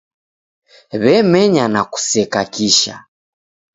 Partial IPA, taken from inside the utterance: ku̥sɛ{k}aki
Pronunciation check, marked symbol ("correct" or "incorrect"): correct